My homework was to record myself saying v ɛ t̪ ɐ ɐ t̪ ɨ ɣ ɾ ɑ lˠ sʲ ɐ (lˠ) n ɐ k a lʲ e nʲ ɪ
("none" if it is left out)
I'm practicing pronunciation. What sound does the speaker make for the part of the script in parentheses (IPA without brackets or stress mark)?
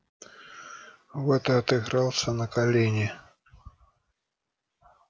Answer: none